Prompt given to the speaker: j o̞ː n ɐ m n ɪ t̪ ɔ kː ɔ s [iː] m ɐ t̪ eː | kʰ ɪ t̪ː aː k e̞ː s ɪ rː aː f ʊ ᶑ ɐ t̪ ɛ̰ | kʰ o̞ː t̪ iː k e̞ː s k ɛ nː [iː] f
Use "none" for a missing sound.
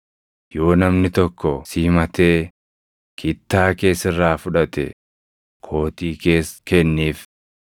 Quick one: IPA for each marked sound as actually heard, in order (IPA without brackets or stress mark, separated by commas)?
iː, iː